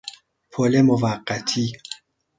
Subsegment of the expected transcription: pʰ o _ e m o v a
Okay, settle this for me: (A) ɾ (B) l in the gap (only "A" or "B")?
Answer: B